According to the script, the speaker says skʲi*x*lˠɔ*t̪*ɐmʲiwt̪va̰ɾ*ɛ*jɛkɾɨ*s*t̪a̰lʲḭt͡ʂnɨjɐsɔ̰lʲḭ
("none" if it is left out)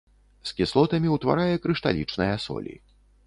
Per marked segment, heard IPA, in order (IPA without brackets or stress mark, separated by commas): s, t̪, a, ʂ